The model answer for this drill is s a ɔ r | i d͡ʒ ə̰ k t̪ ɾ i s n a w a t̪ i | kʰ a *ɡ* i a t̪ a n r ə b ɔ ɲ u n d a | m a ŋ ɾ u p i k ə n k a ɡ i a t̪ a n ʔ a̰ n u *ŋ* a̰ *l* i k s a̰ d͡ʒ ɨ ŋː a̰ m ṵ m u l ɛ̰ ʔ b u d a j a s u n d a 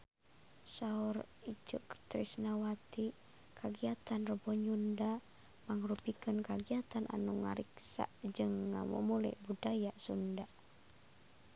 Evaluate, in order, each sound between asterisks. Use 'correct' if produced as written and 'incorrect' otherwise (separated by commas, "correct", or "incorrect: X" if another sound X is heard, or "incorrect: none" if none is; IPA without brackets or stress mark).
correct, correct, incorrect: ɾ